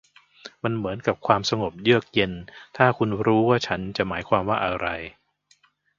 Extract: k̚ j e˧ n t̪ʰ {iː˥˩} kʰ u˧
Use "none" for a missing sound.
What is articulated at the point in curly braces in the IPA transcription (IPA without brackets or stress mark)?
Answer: aː˥˩